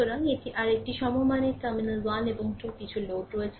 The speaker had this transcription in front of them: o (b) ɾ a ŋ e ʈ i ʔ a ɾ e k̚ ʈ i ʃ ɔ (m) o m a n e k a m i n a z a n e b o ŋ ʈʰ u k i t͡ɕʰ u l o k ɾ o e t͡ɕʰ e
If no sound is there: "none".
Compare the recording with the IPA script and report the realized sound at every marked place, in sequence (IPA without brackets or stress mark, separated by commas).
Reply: none, m